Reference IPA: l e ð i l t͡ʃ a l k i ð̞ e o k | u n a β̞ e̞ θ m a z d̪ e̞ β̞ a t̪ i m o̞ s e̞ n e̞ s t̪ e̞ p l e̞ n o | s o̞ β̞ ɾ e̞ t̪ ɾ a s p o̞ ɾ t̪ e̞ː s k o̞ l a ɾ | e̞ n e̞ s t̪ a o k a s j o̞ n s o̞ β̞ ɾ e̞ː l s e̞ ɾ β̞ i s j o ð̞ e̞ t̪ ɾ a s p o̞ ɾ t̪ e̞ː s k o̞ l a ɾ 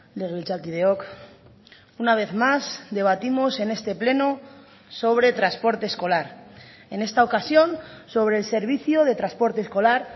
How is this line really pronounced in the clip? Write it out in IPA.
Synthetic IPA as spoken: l e ɣ i l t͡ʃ a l k i ð̞ e o k | u n a β̞ e̞ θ m a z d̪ e̞ β̞ a t̪ i m o̞ s e̞ n e̞ s t̪ e̞ p l e̞ n o | s o̞ β̞ ɾ e̞ t̪ ɾ a s p o̞ ɾ t̪ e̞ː s k o̞ l a ɾ | e̞ n e̞ s t̪ a o k a s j o̞ n s o̞ β̞ ɾ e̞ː l s e̞ ɾ β̞ i θ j o ð̞ e̞ t̪ ɾ a s p o̞ ɾ t̪ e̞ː s k o̞ l a ɾ

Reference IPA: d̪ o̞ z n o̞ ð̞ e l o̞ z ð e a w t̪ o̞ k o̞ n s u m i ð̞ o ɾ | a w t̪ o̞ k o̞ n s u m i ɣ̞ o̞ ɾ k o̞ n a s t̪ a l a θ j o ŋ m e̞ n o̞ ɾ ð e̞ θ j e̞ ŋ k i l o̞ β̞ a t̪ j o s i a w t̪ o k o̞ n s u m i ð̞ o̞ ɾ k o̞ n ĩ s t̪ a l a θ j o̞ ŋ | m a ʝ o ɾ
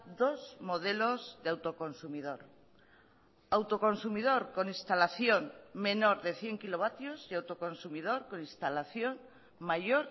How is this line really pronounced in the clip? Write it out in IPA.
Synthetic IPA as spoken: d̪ o̞ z m o̞ ð̞ e l o̞ z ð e a w t̪ o̞ k o̞ n s u m i ð̞ o ɾ | a w t̪ o̞ k o̞ n s u m i ð̞ o̞ ɾ k o̞ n i s t̪ a l a θ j o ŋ m e̞ n o̞ ɾ ð e̞ θ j e̞ ŋ k i l o̞ β̞ a t̪ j o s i a w t̪ o k o̞ n s u m i ð̞ o̞ ɾ k o̞ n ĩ s t̪ a l a θ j o̞ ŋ | m a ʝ o ɾ

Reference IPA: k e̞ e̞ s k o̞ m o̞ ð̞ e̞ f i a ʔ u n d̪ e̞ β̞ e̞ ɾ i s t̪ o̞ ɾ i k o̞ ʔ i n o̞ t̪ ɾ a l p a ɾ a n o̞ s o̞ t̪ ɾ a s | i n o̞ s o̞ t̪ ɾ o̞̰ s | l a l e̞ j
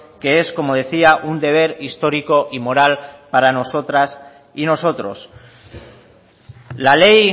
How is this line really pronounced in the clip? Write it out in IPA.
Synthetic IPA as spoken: k e̞ e̞ s k o̞ m o̞ ð̞ e̞ θ i a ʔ u n d̪ e̞ β̞ e̞ ɾ i s t̪ o̞ ɾ i k o̞ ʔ i m o̞ ɾ a l p a ɾ a n o̞ s o̞ t̪ ɾ a s | i n o̞ s o̞ t̪ ɾ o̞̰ s | l a l e̞ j

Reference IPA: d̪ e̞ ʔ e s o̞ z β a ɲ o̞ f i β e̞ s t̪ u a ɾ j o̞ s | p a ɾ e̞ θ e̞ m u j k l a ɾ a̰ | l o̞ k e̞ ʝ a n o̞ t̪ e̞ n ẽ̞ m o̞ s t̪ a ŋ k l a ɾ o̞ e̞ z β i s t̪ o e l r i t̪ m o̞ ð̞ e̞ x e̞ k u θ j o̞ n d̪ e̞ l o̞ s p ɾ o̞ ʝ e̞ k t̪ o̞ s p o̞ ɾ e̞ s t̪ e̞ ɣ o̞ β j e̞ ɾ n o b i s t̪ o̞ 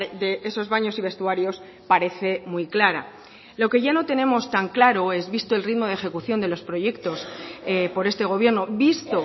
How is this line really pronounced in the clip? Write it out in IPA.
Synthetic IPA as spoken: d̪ e̞ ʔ e s o̞ z β a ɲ o̞ s i β e̞ s t̪ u a ɾ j o̞ s | p a ɾ e̞ θ e̞ m u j k l a ɾ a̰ | l o̞ k e̞ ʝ a n o̞ t̪ e̞ n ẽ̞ m o̞ s t̪ a ŋ k l a ɾ o̞ e̞ z β i s t̪ o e l r i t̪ m o̞ ð̞ e̞ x e̞ k u θ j o̞ n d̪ e̞ l o̞ s p ɾ o̞ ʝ e̞ k t̪ o̞ s p o̞ ɾ e̞ s t̪ e̞ ɣ o̞ β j e̞ ɾ n o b i s t̪ o̞

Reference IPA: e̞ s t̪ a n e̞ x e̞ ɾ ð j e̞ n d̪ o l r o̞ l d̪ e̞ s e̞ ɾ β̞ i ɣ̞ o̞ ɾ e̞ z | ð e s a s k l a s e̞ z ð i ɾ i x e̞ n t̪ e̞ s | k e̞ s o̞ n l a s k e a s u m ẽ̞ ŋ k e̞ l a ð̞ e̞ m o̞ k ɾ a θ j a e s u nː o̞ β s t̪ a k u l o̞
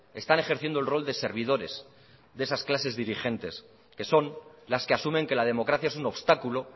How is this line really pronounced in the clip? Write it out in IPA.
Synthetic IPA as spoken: e̞ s t̪ a n e̞ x e̞ ɾ θ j e̞ n d̪ o l r o̞ l d̪ e̞ s e̞ ɾ β̞ i ð̞ o̞ ɾ e̞ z | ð e s a s k l a s e̞ z ð i ɾ i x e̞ n t̪ e̞ s | k e̞ s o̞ n l a s k e a s u m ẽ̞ ŋ k e̞ l a ð̞ e̞ m o̞ k ɾ a θ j a e s u n o̞ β s t̪ a k u l o̞

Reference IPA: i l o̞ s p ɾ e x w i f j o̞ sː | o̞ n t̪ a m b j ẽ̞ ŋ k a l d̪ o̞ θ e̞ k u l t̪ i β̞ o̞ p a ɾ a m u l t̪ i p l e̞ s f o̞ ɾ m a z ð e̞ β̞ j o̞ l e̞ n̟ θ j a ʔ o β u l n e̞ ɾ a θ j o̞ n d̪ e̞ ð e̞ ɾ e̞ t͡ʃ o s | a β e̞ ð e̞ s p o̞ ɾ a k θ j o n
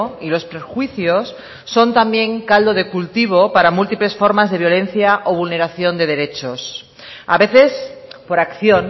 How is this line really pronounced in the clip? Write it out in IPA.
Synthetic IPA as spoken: i l o̞ s p ɾ e x w i θ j o̞ sː | o̞ n t̪ a m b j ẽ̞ ŋ k a l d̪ o̞ ð e̞ k u l t̪ i β̞ o̞ p a ɾ a m u l t̪ i p l e̞ s f o̞ ɾ m a z ð e̞ β̞ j o̞ l e̞ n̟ θ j a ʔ o β u l n e̞ ɾ a θ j o̞ n d̪ e̞ ð e̞ ɾ e̞ t͡ʃ o s | a β e̞ θ e̞ s p o̞ ɾ a k θ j o n

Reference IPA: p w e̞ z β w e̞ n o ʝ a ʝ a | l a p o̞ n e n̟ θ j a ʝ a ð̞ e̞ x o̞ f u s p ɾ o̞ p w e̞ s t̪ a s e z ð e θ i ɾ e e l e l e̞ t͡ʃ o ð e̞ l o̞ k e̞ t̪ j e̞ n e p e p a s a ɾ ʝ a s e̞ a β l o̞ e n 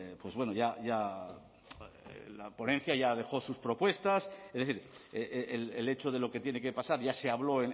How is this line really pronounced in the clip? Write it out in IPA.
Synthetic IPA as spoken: p w e̞ z β w e̞ n o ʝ a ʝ a | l a p o̞ n e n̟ θ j a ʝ a ð̞ e̞ x o̞ s u s p ɾ o̞ p w e̞ s t̪ a s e z ð e θ i ɾ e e l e l e̞ t͡ʃ o ð e̞ l o̞ k e̞ t̪ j e̞ n e k e p a s a ɾ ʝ a s e̞ a β l o̞ e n

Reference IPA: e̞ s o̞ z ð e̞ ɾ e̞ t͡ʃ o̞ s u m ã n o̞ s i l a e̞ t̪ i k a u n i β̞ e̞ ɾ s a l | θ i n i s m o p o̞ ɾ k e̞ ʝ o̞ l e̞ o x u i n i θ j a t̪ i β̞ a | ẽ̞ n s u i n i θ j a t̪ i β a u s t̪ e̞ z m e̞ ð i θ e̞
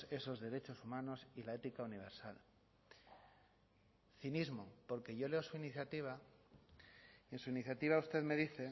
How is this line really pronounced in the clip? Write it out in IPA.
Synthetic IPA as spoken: e̞ s o̞ z ð e̞ ɾ e̞ t͡ʃ o̞ s u m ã n o̞ s i l a e̞ t̪ i k a u n i β̞ e̞ ɾ s a l | θ i n i z m o p o̞ ɾ k e̞ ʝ o̞ l e̞ o s u i n i θ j a t̪ i β̞ a | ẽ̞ n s u i n i θ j a t̪ i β a u s t̪ e̞ ð m e̞ ð i θ e̞

